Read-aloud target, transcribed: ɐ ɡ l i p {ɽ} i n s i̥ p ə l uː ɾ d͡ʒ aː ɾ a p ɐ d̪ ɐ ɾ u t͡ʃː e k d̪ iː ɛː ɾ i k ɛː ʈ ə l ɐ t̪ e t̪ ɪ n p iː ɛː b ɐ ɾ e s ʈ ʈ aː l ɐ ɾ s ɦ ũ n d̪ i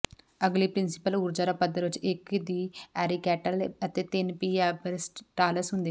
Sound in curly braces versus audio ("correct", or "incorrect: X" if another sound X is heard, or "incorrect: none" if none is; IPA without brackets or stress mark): incorrect: ɾ